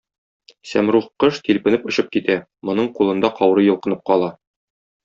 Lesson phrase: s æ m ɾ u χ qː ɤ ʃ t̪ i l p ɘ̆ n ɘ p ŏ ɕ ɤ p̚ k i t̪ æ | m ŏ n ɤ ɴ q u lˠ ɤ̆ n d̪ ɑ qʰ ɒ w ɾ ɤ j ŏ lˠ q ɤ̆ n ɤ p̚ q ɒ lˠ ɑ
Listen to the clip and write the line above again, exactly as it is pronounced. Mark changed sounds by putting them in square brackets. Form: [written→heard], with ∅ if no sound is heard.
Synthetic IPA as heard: s æ m ɾ u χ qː ɤ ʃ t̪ i l p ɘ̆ n ɘ p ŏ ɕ ɤ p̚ k i t̪ æ | m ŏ n ɤ ɴ q u lˠ ɤ̆ n d̪ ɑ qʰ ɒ w ɾ ɤ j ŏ lˠ q ɤ̆ n ɤ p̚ q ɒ lˠ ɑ